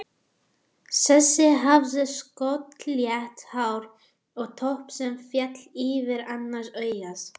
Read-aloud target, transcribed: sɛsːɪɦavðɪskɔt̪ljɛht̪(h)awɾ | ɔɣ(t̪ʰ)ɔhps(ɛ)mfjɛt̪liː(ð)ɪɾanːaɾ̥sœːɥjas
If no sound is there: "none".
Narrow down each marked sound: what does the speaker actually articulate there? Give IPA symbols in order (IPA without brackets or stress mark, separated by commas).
h, t̪ʰ, ɛ, v